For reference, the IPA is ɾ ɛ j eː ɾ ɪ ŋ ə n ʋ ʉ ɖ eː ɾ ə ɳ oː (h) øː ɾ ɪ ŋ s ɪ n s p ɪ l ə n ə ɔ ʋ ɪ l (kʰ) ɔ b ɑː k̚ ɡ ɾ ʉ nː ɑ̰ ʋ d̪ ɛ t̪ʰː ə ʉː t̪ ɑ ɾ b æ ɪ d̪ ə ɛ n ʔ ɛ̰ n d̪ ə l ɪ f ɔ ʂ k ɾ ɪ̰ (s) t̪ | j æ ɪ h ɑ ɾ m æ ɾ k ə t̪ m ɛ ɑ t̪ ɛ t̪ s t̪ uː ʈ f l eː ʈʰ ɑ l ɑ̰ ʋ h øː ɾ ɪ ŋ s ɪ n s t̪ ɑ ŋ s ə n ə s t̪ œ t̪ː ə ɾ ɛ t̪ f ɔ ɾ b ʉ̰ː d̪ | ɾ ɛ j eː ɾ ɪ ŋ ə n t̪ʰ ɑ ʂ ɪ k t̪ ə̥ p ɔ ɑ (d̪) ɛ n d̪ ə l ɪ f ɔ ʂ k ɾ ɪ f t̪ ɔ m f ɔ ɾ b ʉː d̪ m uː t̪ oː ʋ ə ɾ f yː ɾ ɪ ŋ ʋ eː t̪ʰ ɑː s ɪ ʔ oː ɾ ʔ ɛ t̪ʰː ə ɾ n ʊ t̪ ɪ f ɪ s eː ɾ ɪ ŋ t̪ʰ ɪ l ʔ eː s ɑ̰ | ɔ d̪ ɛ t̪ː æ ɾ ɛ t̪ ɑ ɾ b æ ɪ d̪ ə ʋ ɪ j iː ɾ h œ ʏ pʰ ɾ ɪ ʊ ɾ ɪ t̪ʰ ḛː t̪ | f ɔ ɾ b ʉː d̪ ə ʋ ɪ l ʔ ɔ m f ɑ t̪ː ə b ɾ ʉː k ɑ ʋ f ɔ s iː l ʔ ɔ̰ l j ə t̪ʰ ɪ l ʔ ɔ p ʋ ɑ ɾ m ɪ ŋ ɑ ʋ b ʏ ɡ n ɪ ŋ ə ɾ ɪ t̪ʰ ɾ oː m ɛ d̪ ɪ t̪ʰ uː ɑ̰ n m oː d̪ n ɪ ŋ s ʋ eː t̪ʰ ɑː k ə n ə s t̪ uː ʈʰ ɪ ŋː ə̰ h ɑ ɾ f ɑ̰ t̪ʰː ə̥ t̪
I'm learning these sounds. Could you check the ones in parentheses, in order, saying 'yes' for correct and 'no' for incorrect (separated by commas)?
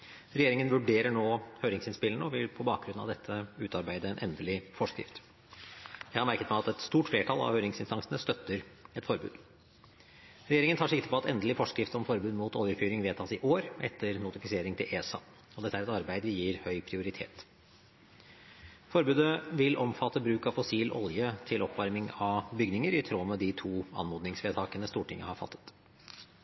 yes, no, no, no